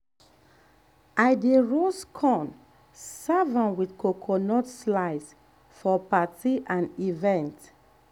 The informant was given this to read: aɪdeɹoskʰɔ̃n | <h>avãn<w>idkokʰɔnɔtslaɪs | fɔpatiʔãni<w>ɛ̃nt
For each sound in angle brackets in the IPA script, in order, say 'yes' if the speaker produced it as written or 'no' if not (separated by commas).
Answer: no, yes, no